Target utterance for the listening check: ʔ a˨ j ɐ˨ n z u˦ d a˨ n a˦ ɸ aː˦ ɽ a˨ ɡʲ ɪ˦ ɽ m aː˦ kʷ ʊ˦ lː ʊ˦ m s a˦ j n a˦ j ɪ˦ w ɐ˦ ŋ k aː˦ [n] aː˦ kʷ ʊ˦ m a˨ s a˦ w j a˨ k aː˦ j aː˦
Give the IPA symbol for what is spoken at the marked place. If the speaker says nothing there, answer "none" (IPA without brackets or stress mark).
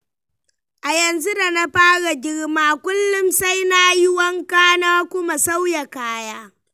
n